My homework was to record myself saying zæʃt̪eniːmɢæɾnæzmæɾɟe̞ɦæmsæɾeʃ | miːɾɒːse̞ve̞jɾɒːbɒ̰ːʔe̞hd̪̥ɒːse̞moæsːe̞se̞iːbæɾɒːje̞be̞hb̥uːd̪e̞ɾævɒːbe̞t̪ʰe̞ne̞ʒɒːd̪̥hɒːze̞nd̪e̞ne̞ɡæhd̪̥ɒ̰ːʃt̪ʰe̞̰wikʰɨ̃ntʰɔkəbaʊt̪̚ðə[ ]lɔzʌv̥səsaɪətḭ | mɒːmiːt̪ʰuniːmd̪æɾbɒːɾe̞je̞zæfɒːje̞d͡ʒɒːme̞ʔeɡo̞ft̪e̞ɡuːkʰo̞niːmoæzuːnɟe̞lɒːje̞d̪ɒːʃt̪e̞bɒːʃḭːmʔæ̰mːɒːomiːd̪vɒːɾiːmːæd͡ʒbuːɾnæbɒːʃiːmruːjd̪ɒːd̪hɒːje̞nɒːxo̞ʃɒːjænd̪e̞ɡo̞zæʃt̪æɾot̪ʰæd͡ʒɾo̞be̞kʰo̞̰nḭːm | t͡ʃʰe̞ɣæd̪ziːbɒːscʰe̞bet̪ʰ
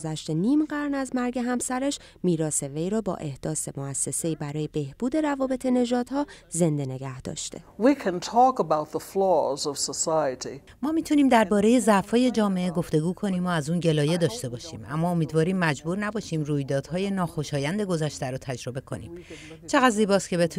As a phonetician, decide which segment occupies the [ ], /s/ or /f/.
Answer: f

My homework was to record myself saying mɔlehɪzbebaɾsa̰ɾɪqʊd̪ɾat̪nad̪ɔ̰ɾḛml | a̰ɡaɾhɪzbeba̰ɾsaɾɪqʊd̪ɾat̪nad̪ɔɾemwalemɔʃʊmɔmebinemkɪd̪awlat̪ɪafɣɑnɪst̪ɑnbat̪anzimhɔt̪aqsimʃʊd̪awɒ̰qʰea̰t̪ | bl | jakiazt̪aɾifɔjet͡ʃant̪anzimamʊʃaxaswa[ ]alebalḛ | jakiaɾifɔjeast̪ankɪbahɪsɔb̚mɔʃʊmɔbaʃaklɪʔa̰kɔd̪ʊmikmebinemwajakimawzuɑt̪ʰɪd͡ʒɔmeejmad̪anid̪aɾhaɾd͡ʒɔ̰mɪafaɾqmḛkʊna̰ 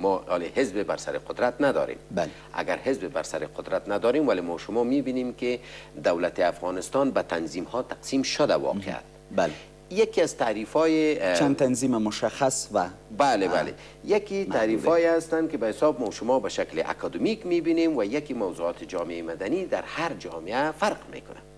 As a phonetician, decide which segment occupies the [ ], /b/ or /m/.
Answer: b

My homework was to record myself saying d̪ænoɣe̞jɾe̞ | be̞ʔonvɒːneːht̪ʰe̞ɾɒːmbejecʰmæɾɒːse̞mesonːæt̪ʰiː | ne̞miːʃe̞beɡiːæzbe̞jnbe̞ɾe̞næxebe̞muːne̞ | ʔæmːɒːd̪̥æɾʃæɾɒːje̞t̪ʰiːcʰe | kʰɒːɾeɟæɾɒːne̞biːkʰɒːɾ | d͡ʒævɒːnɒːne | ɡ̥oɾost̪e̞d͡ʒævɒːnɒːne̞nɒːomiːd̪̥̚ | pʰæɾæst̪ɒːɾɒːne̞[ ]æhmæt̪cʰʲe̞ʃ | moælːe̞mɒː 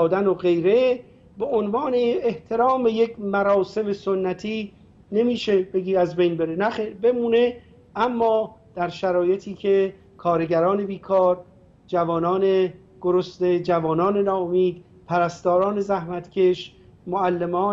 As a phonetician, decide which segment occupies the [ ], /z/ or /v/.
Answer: z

